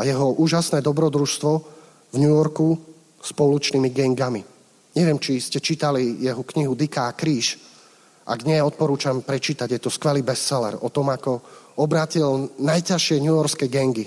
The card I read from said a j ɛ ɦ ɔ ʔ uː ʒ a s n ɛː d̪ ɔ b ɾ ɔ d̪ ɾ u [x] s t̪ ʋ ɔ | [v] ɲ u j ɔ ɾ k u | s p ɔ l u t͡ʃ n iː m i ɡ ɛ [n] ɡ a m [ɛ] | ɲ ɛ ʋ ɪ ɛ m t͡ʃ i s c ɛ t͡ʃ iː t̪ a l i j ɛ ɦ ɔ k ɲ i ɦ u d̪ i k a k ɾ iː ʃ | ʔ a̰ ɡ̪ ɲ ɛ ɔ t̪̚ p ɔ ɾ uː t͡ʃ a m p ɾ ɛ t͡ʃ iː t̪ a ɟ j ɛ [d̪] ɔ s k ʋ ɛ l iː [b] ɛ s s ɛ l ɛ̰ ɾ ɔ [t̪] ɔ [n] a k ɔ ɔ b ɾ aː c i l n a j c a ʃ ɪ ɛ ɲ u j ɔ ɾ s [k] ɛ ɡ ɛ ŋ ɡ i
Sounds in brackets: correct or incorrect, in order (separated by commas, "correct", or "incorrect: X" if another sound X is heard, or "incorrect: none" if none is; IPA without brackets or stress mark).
incorrect: ʃ, correct, incorrect: ŋ, incorrect: i, incorrect: t̪, correct, correct, incorrect: m, correct